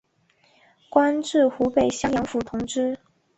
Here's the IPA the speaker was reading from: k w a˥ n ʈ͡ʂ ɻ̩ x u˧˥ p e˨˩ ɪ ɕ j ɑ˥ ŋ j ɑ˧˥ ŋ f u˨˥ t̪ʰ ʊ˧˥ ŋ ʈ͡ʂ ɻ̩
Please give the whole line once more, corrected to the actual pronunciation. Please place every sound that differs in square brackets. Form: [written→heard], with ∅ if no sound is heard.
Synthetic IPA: k w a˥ n ʈ͡ʂ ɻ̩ x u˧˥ p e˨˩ ɪ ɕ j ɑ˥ ŋ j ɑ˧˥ ŋ f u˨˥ t̪ʰ ʊ˧˥ ŋ ʈ͡ʂ ɻ̩